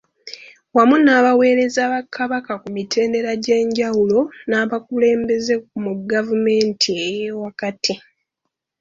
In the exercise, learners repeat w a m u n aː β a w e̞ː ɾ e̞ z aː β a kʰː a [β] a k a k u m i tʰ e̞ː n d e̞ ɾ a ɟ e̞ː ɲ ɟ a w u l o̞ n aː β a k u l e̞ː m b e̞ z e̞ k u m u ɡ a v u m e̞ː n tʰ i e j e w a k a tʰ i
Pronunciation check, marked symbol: correct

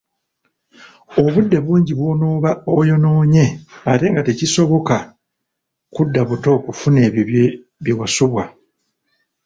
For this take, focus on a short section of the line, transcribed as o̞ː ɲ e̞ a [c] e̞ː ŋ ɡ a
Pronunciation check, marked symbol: incorrect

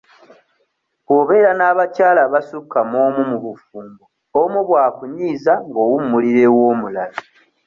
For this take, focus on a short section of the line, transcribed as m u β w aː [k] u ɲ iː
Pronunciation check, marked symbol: correct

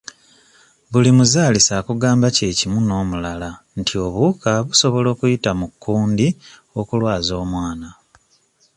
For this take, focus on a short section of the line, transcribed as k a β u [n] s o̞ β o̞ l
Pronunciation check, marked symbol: incorrect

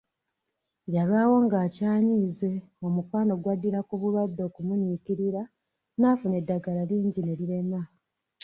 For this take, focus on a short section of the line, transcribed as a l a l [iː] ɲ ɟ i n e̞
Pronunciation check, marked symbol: correct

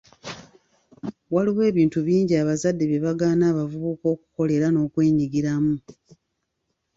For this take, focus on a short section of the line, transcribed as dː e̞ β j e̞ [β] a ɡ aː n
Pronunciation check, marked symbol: correct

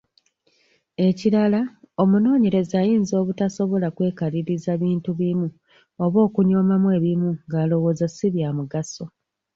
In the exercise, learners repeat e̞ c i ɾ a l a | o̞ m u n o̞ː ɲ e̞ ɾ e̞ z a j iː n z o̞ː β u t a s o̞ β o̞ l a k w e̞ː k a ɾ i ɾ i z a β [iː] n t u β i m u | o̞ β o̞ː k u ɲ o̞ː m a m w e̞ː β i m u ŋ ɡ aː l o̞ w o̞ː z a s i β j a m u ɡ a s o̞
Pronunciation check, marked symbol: correct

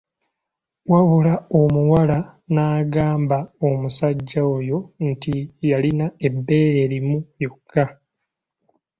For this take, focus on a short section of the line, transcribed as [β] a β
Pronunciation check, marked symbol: incorrect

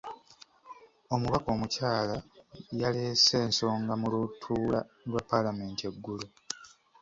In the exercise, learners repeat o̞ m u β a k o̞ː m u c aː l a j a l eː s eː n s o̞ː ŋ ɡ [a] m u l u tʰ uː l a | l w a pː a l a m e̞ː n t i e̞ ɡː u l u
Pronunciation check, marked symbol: correct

